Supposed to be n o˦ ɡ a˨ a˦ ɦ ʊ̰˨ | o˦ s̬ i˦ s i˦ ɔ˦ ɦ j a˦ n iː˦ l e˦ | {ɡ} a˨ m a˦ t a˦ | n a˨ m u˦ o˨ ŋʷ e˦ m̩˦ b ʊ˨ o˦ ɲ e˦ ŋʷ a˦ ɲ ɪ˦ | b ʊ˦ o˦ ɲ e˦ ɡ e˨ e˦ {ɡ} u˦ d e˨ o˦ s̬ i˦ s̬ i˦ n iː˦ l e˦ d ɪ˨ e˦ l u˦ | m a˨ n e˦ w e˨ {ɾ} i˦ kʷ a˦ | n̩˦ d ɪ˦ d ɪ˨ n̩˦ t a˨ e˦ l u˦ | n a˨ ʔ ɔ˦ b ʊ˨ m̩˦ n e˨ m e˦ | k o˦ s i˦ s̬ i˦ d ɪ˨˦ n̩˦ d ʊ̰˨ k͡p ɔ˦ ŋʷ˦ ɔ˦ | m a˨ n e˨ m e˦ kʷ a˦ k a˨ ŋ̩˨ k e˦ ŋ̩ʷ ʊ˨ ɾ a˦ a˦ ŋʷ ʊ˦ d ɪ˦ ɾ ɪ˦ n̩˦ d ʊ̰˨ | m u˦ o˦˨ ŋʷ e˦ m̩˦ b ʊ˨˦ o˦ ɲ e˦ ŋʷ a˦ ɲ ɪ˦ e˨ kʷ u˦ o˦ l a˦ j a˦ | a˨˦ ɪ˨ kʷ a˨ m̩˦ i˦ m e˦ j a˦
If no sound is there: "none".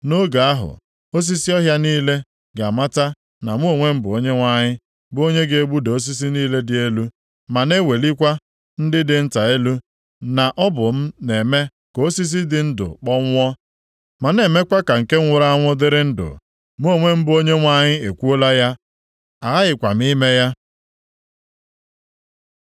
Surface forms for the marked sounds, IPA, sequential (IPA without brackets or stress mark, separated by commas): ɡ, ɡ͡b, l